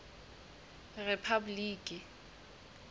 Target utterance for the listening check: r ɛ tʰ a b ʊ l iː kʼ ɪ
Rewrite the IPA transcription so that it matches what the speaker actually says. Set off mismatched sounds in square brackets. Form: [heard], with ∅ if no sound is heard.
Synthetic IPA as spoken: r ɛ [pʰ] a b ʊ l iː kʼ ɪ